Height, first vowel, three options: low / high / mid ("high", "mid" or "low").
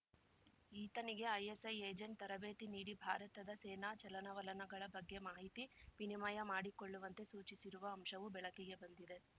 high